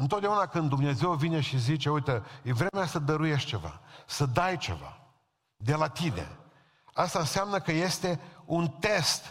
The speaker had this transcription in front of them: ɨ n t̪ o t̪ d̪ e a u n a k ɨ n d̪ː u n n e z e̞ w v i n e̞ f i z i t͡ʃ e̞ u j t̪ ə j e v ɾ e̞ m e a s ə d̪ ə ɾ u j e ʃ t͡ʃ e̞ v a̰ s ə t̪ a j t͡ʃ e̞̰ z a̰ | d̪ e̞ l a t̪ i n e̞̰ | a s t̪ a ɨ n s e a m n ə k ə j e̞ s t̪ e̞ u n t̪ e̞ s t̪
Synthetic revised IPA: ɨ n t̪ o t̪ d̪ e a u n a k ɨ n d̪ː u m n e z e̞ w v i n e̞ ʃ i z i t͡ʃ e̞ u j t̪ ə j e v ɾ e̞ m e a s ə d̪ ə ɾ u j e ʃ t͡ʃ e̞ v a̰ s ə d̪ a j t͡ʃ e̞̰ v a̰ | d̪ e̞ l a t̪ i n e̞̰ | a s t̪ a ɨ n s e a m n ə k ə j e̞ s t̪ e̞ u n t̪ e̞ s t̪